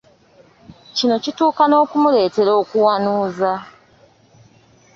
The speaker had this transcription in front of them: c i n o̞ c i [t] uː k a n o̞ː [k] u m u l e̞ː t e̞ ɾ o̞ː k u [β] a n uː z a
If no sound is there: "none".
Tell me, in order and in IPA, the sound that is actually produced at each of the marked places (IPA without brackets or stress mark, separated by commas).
t, k, w